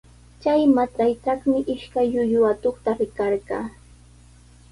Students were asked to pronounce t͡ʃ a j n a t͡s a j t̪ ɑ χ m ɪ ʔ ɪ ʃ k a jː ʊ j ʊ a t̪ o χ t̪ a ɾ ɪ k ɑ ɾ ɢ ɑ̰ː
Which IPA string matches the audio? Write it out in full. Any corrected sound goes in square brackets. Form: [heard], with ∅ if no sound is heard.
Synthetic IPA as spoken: t͡ʃ a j [m] a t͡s a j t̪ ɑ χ m ɪ ʔ ɪ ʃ k a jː ʊ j ʊ a t̪ o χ t̪ a ɾ ɪ k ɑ ɾ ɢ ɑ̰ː